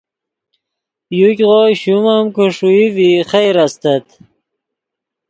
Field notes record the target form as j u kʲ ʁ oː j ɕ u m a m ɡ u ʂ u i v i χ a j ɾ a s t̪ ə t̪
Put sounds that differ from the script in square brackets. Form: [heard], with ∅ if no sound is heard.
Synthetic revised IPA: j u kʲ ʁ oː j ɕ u m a m [k] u ʂ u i v i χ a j ɾ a s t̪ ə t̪